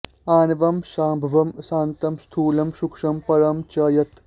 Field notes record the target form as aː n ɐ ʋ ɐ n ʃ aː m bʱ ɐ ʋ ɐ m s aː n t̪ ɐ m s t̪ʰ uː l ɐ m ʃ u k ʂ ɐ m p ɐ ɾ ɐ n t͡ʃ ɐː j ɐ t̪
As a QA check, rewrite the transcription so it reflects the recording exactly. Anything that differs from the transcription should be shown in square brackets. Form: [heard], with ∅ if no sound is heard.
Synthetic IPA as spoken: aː n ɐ ʋ ɐ [m] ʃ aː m bʱ ɐ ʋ ɐ m s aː n t̪ ɐ m s t̪ʰ uː l ɐ m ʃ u k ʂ ɐ m p ɐ ɾ ɐ [m] t͡ʃ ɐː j ɐ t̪

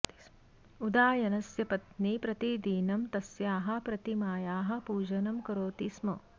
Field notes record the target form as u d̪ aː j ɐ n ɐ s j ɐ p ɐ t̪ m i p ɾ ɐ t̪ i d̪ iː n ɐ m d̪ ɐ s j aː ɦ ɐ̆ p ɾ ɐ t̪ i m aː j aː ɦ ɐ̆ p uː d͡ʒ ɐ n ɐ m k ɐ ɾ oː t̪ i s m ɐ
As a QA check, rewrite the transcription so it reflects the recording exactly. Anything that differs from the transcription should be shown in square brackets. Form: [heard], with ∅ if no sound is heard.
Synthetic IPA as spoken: u d̪ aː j ɐ n ɐ s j ɐ p ɐ t̪ [n] i p ɾ ɐ t̪ i d̪ iː n ɐ m [t̪] ɐ s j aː ɦ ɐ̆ p ɾ ɐ t̪ i m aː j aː ɦ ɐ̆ p uː d͡ʒ ɐ n ɐ m k ɐ ɾ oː t̪ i s m ɐ

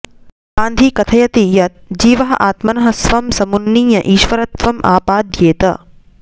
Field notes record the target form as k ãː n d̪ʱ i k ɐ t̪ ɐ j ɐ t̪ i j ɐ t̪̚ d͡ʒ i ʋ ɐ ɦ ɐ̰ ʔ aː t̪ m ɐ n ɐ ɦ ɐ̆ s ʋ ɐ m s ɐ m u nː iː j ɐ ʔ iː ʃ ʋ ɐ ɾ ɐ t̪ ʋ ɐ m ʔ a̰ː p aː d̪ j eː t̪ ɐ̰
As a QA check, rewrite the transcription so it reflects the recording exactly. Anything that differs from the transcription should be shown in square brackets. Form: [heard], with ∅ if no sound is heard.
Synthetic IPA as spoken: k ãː n d̪ʱ i k ɐ [t̪ʰ] ɐ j ɐ t̪ i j ɐ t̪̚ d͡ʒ [iː] ʋ ɐ ɦ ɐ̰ ʔ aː t̪ m ɐ n ɐ ɦ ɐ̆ s ʋ ɐ m s ɐ m u nː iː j ɐ ʔ iː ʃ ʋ ɐ ɾ ɐ t̪ ʋ ɐ m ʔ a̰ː p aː d̪ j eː t̪ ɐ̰

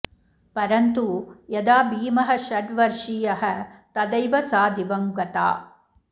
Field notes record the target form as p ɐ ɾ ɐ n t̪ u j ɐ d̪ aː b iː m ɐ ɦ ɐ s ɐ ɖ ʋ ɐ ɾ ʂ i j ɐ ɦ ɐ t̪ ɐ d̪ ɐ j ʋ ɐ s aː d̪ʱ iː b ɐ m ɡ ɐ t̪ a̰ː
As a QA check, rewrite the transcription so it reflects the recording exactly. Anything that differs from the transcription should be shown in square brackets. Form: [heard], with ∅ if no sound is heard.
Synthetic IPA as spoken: p ɐ ɾ ɐ n t̪ u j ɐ d̪ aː b iː m ɐ ɦ ɐ [ʃ] ɐ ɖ ʋ ɐ ɾ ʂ i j ɐ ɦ ɐ t̪ ɐ d̪ ɐ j ʋ ɐ s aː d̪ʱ [i] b ɐ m ɡ ɐ t̪ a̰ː

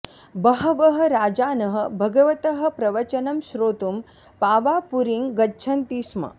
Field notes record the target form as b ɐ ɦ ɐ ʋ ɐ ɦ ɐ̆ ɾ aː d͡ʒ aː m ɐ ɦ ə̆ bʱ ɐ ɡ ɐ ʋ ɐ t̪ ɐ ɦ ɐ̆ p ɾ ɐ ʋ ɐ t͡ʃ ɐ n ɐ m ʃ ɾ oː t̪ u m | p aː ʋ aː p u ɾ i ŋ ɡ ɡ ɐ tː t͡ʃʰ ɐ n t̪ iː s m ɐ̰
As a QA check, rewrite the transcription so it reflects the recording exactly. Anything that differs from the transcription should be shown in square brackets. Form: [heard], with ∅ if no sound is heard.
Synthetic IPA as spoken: b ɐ ɦ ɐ ʋ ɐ ɦ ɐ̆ ɾ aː d͡ʒ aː [n] ɐ ɦ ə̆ bʱ ɐ ɡ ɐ ʋ ɐ t̪ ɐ ɦ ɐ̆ p ɾ ɐ ʋ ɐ t͡ʃ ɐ n ɐ m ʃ ɾ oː t̪ u m | p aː ʋ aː p u ɾ i ŋ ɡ ɡ ɐ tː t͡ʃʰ ɐ n t̪ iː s m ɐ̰

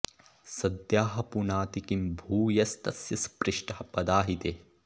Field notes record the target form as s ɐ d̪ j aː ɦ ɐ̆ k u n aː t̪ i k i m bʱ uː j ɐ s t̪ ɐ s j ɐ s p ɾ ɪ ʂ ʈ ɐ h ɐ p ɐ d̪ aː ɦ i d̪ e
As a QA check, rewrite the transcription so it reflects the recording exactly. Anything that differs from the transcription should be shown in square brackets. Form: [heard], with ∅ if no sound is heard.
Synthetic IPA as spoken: s ɐ d̪ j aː ɦ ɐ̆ [p] u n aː t̪ i k i m bʱ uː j ɐ s t̪ ɐ s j ɐ s p ɾ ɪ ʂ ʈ ɐ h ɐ p ɐ d̪ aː ɦ i [t̪] e

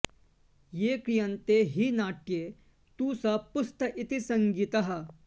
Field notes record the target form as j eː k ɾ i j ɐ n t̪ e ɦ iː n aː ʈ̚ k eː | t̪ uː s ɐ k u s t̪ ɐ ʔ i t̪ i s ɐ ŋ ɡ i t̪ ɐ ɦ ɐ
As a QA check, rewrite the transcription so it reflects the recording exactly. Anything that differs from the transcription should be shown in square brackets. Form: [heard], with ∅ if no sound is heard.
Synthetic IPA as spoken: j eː k ɾ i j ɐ n t̪ e ɦ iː n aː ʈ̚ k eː | t̪ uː s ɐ [p] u s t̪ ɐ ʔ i t̪ i s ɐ ŋ ɡ i t̪ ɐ ɦ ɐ

